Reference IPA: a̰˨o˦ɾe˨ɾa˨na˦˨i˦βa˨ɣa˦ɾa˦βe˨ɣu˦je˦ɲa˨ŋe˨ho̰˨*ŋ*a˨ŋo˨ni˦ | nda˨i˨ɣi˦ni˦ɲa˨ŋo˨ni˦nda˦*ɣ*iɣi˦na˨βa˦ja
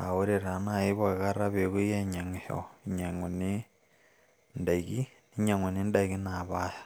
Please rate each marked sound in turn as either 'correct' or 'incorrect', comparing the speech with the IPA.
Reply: incorrect, incorrect

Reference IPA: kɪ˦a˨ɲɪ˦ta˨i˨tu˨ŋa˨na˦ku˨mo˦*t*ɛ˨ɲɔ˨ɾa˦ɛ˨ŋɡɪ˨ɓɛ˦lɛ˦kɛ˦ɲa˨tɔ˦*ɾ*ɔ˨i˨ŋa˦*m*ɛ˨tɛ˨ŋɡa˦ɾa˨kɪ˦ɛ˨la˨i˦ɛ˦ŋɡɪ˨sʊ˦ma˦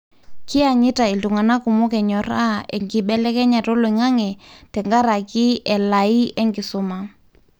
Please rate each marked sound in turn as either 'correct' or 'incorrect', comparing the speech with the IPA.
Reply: incorrect, incorrect, incorrect

